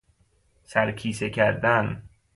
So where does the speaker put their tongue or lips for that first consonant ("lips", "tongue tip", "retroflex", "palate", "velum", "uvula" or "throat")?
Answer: tongue tip